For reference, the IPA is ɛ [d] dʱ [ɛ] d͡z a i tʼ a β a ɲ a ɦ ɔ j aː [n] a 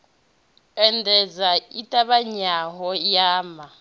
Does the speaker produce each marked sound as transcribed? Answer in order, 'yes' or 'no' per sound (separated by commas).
no, yes, no